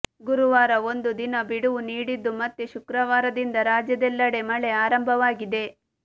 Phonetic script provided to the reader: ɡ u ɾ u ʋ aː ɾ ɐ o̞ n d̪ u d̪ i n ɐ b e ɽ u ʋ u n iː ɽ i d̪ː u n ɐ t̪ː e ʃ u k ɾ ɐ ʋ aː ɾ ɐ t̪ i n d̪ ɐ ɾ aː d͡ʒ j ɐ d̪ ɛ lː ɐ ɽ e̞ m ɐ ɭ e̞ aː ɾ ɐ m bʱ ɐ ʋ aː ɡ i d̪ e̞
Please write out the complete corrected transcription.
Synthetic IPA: ɡ u ɾ u ʋ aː ɾ ɐ o̞ n d̪ u d̪ i n ɐ b i ɽ u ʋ u n iː ɽ i d̪ː u m ɐ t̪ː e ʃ u k ɾ ɐ ʋ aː ɾ ɐ d̪ i n d̪ ɐ ɾ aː d͡ʒ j ɐ d̪ ɛ lː ɐ ɽ e̞ m ɐ ɭ e̞ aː ɾ ɐ m bʱ ɐ ʋ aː ɡ i d̪ e̞